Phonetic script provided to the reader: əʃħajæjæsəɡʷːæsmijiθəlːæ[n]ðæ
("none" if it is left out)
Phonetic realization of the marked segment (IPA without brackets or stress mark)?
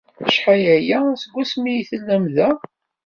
m